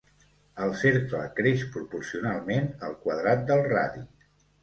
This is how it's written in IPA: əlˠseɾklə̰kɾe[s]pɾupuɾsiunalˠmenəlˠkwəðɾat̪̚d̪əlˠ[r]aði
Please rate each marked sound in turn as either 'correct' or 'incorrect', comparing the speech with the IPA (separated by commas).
incorrect, correct